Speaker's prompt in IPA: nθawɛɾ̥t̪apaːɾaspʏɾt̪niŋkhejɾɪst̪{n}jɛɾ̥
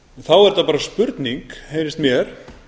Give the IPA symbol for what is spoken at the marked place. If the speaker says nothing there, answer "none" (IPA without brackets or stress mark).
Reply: m